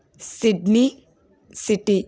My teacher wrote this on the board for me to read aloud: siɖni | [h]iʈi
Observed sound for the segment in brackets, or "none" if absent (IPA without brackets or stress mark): s